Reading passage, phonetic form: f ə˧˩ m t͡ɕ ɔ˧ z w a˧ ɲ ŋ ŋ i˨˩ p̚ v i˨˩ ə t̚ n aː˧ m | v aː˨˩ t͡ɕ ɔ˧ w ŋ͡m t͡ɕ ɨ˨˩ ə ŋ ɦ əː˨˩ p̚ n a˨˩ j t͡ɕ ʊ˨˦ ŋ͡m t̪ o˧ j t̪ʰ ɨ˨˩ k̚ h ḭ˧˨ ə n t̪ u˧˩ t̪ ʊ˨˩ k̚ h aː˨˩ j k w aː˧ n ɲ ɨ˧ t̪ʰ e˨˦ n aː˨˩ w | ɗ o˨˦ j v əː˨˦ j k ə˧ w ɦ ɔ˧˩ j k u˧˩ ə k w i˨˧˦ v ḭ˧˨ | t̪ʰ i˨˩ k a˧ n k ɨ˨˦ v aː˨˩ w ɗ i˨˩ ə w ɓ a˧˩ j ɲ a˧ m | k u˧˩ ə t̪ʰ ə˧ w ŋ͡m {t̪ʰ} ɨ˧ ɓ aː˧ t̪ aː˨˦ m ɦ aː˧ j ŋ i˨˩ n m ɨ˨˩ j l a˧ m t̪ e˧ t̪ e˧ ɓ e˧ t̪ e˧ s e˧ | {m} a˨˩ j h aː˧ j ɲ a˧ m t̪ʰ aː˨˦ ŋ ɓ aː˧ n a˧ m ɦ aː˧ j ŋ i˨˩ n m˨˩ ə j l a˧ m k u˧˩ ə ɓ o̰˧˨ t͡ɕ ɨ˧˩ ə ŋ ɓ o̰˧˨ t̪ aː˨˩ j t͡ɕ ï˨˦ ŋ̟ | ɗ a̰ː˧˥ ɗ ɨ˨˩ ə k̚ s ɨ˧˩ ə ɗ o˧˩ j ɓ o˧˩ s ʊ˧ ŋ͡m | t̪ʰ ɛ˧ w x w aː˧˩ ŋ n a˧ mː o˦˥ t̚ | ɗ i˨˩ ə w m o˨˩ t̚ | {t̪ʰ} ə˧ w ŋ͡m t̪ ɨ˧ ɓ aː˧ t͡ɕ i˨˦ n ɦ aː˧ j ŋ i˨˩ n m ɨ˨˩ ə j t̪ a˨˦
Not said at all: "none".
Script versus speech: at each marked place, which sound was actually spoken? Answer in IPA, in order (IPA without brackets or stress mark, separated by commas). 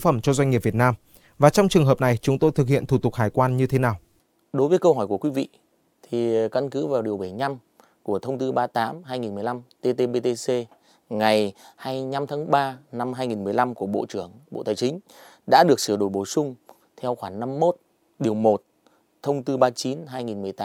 t̪, ŋ, t̪ʰ